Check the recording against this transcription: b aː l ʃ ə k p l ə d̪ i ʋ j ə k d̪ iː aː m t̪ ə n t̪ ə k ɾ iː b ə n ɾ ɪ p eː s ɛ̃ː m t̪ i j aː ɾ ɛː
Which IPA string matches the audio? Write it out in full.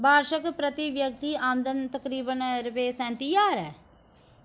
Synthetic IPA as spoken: b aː ɾ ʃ ə k p ɾ ə t̪ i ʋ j ə k t̪ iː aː m d̪ ə n t̪ ə k ɾ iː b ə n ɾ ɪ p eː s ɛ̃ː n t̪ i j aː ɾ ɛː